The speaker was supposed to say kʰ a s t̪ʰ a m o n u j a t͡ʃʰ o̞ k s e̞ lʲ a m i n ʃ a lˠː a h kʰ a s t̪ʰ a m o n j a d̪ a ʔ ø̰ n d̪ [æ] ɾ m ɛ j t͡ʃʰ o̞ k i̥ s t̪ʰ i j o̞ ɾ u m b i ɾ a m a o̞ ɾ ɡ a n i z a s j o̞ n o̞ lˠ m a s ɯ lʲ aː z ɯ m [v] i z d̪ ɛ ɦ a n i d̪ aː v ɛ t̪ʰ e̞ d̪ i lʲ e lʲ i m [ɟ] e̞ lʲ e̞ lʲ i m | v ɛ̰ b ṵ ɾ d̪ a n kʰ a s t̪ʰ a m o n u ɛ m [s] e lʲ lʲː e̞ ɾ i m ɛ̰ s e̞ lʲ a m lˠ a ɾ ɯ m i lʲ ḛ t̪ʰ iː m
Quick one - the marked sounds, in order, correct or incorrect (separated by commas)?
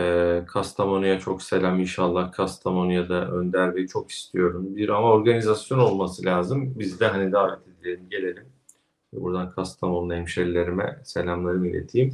correct, incorrect, correct, incorrect